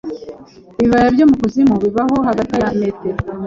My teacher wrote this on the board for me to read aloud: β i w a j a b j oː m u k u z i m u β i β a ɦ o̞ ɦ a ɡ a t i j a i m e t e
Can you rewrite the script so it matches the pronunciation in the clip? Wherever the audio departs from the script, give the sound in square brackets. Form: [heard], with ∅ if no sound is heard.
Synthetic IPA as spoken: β i [β] a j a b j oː m u k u z i m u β i β a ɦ o̞ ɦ a ɡ a t i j a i m e t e